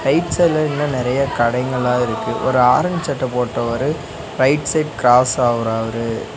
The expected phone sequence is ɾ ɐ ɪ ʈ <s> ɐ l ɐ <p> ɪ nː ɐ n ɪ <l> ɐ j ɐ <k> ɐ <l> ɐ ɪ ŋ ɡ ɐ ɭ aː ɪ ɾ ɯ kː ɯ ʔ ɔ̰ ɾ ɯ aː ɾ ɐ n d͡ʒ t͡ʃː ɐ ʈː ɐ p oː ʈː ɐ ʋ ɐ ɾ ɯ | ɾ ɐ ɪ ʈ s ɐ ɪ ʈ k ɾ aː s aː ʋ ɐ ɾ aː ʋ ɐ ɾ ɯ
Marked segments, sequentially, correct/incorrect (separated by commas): correct, incorrect, incorrect, correct, incorrect